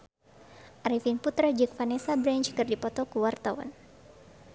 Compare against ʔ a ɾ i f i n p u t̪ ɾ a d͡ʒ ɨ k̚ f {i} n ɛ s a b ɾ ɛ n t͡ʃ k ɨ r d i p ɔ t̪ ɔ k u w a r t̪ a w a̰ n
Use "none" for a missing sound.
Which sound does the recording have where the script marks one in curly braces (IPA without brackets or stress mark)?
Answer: a